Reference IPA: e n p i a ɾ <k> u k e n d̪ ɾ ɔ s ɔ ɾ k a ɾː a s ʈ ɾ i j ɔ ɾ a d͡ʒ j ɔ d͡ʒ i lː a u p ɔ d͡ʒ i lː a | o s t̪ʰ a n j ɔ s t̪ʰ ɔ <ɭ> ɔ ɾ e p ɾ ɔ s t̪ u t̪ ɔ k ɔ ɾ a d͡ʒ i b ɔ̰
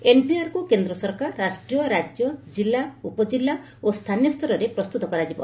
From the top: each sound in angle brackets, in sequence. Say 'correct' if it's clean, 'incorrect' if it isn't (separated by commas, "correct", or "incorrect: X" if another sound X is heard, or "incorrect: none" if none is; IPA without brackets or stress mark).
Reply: correct, incorrect: ɾ